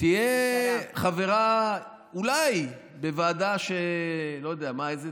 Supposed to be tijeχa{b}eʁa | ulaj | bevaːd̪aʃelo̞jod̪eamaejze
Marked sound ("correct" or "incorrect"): incorrect